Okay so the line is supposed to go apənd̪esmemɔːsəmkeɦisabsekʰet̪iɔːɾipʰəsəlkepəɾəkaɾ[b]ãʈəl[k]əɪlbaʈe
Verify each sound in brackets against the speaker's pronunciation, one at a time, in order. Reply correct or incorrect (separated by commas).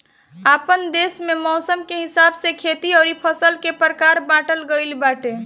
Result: correct, incorrect